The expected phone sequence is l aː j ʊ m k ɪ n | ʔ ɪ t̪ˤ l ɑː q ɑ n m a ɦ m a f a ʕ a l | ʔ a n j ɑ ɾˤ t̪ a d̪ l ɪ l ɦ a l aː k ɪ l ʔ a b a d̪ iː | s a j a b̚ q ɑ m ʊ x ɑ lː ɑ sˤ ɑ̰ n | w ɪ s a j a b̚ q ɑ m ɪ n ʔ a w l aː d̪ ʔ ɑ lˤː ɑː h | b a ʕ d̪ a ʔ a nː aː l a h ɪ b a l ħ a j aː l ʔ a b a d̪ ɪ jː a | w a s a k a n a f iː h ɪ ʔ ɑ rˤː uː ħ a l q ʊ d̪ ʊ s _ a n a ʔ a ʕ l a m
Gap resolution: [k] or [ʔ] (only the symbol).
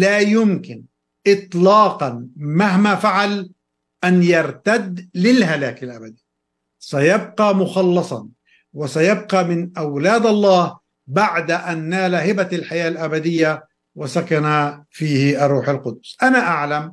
ʔ